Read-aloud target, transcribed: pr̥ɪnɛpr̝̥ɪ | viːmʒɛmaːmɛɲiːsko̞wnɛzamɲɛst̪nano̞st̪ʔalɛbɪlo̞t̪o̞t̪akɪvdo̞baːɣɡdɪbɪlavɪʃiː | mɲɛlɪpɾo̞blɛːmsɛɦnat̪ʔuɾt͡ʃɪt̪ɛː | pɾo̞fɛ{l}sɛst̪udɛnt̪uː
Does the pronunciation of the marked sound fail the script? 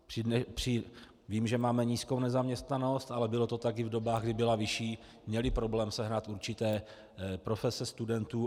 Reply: yes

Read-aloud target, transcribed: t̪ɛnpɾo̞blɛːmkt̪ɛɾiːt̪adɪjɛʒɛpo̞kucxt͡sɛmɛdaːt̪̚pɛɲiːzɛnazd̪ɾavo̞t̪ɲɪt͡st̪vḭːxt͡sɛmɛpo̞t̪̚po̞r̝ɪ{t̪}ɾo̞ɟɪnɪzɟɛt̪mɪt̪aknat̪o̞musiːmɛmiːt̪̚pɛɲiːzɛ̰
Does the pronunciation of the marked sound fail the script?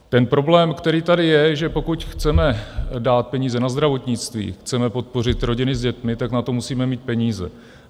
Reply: no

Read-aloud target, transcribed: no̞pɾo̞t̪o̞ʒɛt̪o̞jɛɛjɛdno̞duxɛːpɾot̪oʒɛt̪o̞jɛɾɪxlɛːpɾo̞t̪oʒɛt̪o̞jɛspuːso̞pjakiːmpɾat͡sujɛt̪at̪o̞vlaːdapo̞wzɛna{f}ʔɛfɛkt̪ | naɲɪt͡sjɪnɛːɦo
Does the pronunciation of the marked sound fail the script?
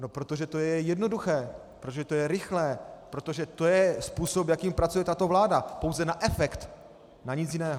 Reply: yes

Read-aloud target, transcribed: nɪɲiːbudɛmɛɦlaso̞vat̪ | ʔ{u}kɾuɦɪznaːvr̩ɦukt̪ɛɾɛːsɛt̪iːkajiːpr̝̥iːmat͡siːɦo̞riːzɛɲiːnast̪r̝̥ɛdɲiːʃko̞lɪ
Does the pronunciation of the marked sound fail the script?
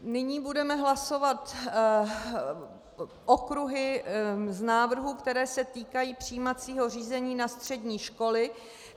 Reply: yes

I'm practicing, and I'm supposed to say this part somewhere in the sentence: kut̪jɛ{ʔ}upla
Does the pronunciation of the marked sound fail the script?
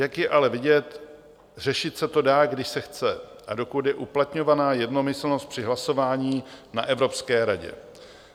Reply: no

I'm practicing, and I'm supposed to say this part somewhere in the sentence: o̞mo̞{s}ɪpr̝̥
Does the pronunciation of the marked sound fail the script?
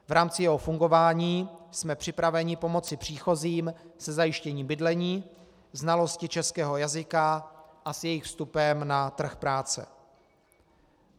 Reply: yes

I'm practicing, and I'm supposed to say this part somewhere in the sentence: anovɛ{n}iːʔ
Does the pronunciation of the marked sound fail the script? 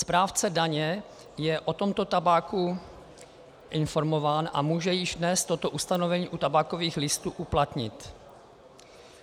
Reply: yes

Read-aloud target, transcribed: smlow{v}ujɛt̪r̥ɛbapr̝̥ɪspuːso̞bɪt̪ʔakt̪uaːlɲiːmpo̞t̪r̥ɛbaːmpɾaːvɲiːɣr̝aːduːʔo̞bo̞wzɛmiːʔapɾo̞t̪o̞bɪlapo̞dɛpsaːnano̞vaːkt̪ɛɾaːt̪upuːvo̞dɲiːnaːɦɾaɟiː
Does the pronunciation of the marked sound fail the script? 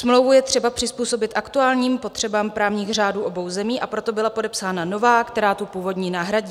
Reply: no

